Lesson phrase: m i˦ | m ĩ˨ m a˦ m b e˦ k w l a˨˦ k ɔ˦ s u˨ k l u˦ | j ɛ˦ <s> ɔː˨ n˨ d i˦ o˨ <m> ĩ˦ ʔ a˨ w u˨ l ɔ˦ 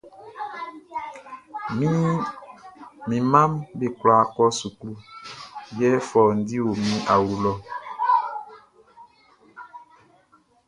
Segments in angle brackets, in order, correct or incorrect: incorrect: f, correct

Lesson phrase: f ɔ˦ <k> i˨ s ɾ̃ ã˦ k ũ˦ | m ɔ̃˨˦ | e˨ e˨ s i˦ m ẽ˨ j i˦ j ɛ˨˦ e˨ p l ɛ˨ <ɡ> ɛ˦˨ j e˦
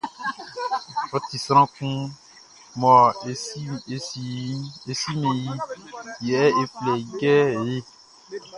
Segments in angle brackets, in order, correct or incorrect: incorrect: t, correct

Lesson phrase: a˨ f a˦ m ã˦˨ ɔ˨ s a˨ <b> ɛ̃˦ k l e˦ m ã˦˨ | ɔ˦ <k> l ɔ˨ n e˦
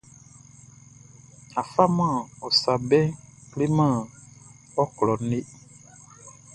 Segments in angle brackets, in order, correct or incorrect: correct, correct

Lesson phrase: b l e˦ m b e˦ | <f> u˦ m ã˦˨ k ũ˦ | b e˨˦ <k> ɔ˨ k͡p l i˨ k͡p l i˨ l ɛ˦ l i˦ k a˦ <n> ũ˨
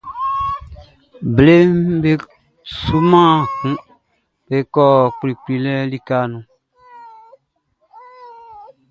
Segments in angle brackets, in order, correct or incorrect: incorrect: s, correct, correct

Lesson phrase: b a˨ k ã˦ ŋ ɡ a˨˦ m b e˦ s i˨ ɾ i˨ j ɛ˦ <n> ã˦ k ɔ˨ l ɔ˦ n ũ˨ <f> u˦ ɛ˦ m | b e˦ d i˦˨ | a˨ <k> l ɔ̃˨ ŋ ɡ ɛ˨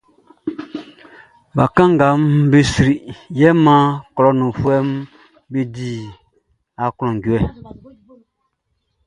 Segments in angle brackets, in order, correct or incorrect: incorrect: m, correct, correct

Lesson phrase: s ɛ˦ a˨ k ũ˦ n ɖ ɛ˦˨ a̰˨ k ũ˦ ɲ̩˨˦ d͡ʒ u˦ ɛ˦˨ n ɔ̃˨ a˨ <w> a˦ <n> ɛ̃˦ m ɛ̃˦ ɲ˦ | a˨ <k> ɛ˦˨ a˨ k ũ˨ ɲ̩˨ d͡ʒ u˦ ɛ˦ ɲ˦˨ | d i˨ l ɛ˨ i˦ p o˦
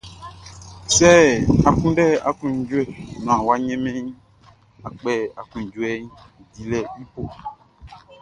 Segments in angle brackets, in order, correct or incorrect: correct, incorrect: ɲ, incorrect: k͡p

